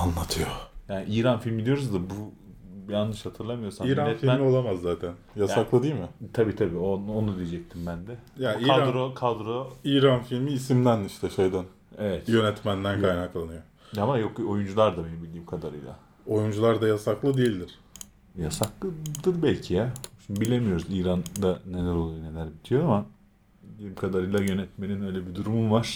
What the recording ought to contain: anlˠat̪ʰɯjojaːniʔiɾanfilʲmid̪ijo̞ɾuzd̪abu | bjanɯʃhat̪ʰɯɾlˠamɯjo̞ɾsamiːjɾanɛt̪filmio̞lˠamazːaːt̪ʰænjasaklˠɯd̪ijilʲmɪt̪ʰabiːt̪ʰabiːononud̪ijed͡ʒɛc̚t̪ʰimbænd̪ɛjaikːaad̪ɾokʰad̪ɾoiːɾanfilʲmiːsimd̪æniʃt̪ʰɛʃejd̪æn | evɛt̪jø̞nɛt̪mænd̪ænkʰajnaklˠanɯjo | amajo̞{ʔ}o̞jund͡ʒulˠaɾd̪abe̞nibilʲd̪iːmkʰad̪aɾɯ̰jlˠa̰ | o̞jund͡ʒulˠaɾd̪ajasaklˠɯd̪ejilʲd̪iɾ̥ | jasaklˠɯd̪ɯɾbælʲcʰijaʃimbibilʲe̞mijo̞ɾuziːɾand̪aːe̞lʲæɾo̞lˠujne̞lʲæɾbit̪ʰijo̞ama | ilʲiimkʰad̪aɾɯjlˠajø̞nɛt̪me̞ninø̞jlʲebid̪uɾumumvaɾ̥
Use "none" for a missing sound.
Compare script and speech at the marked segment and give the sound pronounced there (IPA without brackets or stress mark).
k